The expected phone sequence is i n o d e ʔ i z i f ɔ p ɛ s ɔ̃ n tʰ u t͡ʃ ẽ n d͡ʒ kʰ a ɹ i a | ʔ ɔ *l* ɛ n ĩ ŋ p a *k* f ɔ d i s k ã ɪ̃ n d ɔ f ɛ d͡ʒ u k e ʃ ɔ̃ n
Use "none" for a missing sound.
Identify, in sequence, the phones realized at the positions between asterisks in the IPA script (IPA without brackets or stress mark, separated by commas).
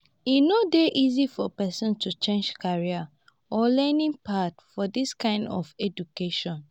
l, t